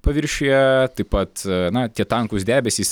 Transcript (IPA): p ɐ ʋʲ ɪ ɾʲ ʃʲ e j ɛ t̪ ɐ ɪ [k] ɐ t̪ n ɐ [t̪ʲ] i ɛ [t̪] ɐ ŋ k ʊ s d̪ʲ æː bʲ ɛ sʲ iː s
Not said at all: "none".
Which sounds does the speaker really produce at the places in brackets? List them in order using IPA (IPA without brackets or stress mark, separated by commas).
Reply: p, t̪ʲ, t̪